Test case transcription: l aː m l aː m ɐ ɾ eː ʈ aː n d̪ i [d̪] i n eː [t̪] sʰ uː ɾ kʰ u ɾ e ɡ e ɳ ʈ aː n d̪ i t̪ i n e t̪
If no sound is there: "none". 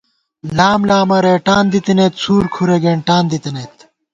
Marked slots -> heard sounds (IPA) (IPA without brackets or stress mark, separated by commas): t̪, t̪